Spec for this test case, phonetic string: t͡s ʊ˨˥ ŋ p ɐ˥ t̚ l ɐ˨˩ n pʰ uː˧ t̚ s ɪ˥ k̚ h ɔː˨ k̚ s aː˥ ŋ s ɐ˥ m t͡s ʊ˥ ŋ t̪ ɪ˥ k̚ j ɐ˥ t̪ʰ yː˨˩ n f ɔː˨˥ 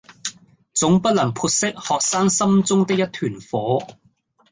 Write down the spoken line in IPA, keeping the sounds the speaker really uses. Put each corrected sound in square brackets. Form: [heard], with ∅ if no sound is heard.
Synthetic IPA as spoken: t͡s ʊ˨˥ ŋ p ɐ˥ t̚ l ɐ˨˩ [ŋ] pʰ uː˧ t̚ s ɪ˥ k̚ h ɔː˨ k̚ s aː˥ ŋ s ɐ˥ m t͡s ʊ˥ ŋ t̪ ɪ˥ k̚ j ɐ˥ t̪ʰ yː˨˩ n f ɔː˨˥